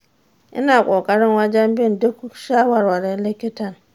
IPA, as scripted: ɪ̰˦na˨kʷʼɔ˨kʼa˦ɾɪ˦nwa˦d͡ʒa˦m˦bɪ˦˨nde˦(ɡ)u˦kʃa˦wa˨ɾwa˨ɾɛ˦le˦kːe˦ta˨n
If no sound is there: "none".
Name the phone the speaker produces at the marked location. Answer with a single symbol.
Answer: k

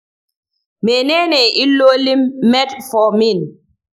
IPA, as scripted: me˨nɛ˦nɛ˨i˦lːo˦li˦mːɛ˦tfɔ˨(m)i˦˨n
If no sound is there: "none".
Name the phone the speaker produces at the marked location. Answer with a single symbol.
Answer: m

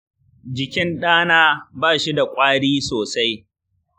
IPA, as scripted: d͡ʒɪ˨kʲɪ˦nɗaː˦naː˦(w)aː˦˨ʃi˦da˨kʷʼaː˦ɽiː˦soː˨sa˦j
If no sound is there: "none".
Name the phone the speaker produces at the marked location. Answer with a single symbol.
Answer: b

